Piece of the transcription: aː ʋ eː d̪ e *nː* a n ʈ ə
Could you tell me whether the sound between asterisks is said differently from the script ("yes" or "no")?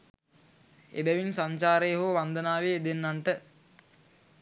no